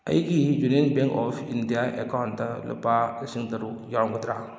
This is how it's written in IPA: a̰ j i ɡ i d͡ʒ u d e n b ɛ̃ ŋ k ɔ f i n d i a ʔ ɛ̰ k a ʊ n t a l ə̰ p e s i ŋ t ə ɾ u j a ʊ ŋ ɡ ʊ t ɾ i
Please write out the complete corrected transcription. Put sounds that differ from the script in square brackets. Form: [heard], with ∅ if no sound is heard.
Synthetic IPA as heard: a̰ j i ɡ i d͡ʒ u [n] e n b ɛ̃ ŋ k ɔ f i n d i a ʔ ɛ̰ k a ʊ n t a l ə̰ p [a] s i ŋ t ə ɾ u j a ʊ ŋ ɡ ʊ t ɾ [a]